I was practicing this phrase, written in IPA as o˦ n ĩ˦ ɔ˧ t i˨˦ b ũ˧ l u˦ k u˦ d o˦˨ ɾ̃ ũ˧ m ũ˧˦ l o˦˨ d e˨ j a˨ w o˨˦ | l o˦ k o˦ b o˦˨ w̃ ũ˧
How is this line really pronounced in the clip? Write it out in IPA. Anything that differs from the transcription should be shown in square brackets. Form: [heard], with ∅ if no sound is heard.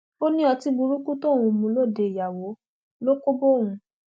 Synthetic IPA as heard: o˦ n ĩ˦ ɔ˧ t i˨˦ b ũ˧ [ɾ] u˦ k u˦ [t] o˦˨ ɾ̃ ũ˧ m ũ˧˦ l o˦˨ d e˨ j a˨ w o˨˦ | l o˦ k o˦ b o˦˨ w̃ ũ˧